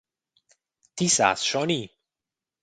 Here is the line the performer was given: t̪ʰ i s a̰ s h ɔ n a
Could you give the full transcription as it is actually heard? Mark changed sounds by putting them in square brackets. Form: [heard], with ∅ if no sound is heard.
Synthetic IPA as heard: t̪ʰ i s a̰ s [ʃ] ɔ n [i]